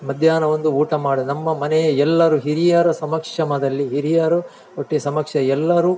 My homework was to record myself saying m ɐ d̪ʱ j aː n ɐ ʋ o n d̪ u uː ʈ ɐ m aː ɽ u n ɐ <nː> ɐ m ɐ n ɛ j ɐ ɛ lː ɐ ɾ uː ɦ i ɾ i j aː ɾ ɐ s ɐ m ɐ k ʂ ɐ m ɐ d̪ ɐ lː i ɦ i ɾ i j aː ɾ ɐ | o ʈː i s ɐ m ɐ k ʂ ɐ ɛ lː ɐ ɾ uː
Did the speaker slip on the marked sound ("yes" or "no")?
yes